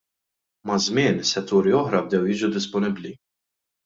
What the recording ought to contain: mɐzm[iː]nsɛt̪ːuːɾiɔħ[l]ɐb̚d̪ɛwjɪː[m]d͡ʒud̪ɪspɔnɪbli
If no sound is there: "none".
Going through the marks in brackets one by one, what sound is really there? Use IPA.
ɪː, ɾ, none

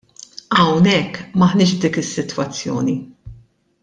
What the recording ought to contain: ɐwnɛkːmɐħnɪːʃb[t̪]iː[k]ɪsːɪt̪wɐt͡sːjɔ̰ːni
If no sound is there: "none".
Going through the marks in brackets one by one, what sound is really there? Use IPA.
d̪, k

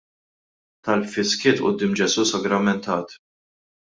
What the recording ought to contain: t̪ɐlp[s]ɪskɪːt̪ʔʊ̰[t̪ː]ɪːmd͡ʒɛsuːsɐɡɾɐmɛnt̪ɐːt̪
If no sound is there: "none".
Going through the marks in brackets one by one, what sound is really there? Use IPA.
f, d̪ː

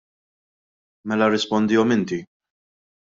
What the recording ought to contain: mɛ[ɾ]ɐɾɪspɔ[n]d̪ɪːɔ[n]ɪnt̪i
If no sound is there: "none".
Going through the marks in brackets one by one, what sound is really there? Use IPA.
l, n, m

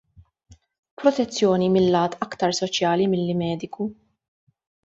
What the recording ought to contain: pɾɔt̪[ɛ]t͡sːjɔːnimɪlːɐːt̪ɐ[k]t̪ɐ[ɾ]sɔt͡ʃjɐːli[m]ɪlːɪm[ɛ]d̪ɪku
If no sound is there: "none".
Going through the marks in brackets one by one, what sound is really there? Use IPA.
ɛ, k, ɾ, m, ɛː

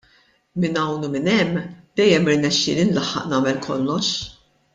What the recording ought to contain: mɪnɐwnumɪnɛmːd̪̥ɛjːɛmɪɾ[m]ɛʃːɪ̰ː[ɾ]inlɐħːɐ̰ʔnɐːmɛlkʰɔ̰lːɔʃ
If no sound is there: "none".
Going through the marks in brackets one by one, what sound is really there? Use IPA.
n, l

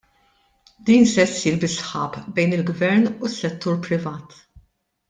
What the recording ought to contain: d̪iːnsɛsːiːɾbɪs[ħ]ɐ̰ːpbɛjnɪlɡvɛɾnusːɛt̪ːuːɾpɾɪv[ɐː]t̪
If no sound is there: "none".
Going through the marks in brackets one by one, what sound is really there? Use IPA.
ħ, ɐː

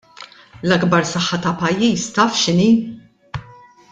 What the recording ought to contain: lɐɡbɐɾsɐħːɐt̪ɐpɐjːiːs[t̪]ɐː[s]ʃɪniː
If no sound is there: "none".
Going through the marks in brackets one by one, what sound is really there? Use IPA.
t̪, f

